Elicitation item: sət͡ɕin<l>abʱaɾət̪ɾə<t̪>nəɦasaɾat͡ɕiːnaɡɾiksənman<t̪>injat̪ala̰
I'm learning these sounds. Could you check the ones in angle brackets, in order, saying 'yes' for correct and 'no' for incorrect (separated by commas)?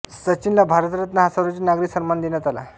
yes, yes, no